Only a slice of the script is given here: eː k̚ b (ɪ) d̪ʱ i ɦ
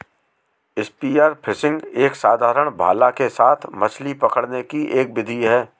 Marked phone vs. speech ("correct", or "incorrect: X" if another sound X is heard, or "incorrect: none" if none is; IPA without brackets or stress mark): correct